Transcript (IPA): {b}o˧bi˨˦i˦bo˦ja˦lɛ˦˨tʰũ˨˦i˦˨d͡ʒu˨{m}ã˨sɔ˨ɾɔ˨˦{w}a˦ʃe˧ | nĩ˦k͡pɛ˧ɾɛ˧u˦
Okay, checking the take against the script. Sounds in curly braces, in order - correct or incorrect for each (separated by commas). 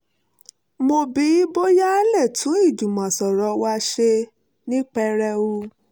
incorrect, correct, correct